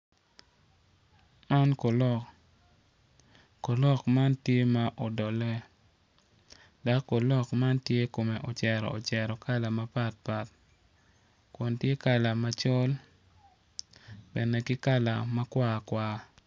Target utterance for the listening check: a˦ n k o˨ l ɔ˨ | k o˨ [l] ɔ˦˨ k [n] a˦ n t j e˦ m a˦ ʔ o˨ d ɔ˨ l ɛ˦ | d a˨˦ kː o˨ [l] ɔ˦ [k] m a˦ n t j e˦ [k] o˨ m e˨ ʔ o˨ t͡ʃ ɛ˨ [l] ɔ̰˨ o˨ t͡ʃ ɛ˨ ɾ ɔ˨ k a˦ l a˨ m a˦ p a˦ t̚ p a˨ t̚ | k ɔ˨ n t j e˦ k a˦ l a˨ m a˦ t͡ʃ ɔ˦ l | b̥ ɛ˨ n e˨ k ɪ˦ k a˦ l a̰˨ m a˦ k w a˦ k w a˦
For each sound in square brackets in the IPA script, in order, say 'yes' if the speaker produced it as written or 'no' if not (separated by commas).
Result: yes, no, yes, yes, yes, no